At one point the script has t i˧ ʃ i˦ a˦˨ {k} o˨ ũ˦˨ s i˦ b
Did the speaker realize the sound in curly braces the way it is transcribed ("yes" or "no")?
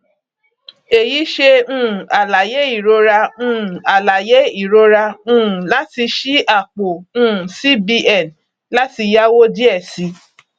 no